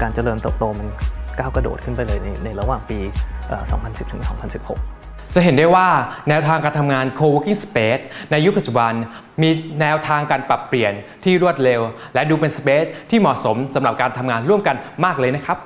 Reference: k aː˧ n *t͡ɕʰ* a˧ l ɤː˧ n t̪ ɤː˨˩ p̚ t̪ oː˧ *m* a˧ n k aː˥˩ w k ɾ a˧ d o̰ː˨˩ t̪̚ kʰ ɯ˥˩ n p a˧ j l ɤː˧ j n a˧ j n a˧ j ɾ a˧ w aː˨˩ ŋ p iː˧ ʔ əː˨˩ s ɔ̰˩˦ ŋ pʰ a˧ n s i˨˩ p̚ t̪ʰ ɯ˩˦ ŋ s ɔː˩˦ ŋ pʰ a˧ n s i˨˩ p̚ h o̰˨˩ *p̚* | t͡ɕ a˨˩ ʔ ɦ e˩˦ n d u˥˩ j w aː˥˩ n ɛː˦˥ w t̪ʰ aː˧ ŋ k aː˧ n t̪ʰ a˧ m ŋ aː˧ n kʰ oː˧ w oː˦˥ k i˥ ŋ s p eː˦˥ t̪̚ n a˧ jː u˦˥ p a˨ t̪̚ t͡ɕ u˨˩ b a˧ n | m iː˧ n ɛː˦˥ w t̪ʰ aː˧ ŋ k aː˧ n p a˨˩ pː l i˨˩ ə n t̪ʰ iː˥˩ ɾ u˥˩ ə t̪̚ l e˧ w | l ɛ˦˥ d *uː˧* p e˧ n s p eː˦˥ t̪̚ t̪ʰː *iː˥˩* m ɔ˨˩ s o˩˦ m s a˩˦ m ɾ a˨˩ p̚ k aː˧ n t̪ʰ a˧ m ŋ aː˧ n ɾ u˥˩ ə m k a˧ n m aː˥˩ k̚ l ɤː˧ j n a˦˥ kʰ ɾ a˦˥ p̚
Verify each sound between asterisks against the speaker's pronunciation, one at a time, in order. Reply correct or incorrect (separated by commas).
incorrect, correct, incorrect, correct, correct